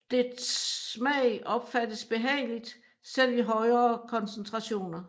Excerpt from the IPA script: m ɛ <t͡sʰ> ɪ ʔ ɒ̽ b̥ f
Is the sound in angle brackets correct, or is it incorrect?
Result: incorrect